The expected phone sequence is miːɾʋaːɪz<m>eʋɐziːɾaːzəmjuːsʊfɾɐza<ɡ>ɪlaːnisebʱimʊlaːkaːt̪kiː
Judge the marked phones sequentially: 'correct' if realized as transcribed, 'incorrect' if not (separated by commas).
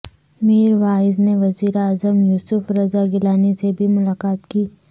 incorrect, correct